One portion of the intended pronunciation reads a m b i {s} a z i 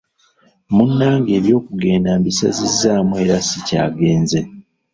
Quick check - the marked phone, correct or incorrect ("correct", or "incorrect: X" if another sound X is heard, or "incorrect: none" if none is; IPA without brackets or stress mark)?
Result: correct